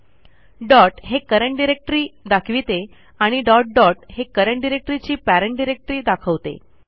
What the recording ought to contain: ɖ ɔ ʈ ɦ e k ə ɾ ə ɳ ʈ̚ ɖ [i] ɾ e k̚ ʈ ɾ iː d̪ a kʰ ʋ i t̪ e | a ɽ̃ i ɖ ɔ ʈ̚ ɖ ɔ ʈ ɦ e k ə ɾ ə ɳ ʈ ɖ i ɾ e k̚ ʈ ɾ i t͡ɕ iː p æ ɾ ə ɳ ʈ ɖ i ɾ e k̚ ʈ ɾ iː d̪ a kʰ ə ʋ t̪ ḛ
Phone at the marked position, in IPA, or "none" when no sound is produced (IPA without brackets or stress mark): i